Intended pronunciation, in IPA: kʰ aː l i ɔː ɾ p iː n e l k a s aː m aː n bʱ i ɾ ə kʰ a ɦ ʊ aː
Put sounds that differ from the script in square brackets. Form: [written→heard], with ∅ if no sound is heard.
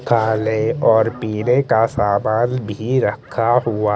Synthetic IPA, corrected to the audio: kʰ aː l [i→e] ɔː ɾ p iː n e [l→∅] k a s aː m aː n bʱ i ɾ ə kʰ a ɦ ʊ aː